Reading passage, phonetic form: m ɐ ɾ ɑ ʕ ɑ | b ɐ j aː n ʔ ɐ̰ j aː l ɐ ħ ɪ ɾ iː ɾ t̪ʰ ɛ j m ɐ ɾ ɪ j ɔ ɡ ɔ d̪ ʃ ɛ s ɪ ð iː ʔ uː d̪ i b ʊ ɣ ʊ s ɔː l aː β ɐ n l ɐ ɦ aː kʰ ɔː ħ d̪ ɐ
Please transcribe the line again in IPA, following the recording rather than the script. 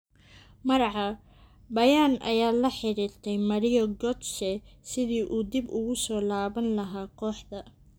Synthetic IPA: m ɐ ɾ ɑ ʕ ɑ | b ɐ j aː n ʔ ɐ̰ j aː l ɐ ħ ɪ ɾ iː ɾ t̪ʰ ɛ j m ɐ ɾ ɪ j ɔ ɡ ɔ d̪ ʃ ɛ s ɪ ð iː ʔ uː d̪ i b ʊ ɣ ʊ s ɔː l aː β ɐ n l ɐ ɦ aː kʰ ɔː ħ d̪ ɐ

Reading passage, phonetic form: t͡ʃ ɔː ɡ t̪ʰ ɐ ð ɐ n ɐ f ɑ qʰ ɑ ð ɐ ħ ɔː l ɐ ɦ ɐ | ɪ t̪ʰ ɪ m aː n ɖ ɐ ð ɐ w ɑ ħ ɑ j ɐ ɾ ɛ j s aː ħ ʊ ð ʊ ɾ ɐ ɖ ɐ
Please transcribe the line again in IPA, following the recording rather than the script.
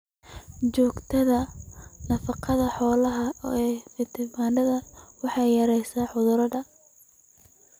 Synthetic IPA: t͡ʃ ɔː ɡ t̪ʰ ɐ ð ɐ n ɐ f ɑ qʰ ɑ ð ɐ ħ ɔː l ɐ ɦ ɐ | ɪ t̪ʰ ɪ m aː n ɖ ɐ ð ɐ w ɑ ħ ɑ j ɐ ɾ ɛ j s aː ħ ʊ ð ʊ ɾ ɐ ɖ ɐ

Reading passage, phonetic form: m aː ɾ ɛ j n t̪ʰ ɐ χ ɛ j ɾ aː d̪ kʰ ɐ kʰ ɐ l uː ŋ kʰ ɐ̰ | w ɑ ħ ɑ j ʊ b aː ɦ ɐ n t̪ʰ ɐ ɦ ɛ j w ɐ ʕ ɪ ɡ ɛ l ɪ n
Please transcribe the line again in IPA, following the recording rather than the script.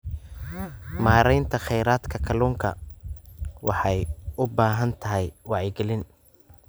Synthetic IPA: m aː ɾ ɛ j n t̪ʰ ɐ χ ɛ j ɾ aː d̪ kʰ ɐ kʰ ɐ l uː ŋ kʰ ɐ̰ | w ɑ ħ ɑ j ʊ b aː ɦ ɐ n t̪ʰ ɐ ɦ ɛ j w ɑ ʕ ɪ ɡ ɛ l ɪ n

